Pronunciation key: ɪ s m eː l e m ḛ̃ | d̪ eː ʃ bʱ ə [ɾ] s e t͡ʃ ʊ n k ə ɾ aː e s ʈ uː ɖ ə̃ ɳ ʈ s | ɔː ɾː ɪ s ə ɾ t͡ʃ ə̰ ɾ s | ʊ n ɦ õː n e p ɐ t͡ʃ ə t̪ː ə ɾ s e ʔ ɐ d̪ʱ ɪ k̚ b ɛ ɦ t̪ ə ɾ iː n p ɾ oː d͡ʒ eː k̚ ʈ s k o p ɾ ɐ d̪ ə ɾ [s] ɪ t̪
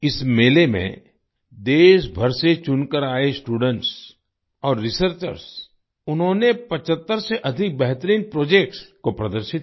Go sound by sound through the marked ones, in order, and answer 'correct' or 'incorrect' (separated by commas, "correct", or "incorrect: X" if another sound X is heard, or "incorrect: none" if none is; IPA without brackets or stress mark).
correct, incorrect: ʃ